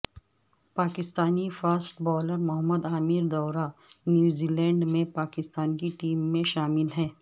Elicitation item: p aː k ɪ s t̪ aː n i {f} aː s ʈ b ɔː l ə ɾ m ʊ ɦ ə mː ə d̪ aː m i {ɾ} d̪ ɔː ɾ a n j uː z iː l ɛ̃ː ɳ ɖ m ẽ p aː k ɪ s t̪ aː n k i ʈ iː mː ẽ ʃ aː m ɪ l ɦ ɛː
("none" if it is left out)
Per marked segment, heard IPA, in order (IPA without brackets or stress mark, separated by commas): f, ɾ